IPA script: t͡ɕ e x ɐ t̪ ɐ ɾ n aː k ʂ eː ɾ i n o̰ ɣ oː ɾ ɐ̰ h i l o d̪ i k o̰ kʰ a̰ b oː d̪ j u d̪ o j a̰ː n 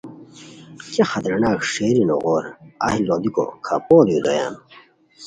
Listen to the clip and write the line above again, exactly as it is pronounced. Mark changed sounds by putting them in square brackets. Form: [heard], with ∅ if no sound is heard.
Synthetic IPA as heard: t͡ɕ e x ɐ t̪ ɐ ɾ n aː k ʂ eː ɾ i n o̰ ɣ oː ɾ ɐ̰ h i l o d̪ i k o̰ kʰ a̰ [p] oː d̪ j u d̪ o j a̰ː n